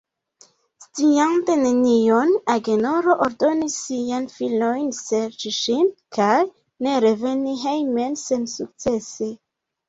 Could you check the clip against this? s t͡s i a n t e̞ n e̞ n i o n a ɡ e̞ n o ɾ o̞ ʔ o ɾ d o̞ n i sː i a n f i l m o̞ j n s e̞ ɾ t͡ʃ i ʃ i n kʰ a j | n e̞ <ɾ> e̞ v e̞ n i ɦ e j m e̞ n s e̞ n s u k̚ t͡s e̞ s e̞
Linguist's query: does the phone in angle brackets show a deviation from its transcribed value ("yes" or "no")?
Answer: no